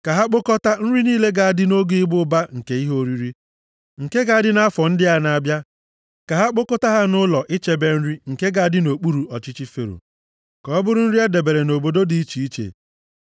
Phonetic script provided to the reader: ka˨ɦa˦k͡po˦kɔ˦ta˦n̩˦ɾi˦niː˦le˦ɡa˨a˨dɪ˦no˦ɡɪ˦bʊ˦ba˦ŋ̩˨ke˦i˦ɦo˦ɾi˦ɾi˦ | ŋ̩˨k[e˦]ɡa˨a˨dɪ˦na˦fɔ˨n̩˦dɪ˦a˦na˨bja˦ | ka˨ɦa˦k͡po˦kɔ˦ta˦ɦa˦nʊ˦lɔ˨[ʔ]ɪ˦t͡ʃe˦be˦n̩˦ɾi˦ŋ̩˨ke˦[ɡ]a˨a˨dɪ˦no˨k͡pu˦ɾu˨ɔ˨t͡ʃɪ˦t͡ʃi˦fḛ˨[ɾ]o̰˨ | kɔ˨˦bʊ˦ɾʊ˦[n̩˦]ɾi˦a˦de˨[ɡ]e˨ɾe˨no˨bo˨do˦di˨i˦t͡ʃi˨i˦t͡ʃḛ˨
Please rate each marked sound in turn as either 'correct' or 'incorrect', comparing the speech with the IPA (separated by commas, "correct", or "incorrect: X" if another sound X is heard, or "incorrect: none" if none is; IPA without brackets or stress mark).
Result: correct, correct, correct, correct, correct, incorrect: b